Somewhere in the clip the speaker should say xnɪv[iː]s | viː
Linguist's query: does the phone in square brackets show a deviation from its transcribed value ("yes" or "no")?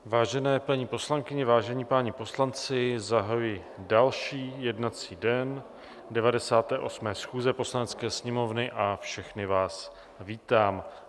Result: yes